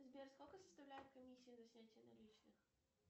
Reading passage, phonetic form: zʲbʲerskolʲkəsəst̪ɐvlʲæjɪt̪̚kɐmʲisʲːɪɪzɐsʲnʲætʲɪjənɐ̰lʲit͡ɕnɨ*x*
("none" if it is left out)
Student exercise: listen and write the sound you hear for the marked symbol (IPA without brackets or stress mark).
x